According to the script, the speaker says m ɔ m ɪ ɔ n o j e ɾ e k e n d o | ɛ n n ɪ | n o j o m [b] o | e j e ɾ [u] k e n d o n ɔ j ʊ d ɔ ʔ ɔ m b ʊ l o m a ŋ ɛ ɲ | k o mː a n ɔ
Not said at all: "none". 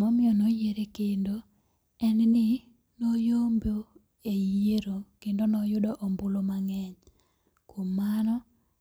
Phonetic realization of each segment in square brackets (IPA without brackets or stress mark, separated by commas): b, o